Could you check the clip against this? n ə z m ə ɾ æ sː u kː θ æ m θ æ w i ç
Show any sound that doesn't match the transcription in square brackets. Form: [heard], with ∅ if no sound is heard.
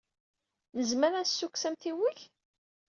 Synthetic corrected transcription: n ə z m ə ɾ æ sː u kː [s] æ m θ [i] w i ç